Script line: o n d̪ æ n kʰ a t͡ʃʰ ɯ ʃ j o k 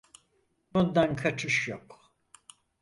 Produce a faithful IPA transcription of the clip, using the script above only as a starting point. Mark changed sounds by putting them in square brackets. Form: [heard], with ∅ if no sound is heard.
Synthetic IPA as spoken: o n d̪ [a] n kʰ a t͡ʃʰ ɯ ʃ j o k